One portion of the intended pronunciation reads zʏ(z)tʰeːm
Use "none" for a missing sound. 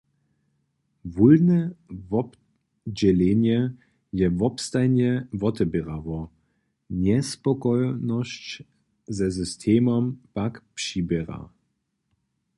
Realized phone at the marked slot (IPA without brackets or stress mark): s